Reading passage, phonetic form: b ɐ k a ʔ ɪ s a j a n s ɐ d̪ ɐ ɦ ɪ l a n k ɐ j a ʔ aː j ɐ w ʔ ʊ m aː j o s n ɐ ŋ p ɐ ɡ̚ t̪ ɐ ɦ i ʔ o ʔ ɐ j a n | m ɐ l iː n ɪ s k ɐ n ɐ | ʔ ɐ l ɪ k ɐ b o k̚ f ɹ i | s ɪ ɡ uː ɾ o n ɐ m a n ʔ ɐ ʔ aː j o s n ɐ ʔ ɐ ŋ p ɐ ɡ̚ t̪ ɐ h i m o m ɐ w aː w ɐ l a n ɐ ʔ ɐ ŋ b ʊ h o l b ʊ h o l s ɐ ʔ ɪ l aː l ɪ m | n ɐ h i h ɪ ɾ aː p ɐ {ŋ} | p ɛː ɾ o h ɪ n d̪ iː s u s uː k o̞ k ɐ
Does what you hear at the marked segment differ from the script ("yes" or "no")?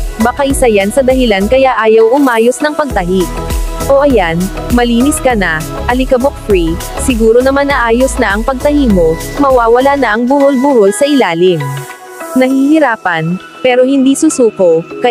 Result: yes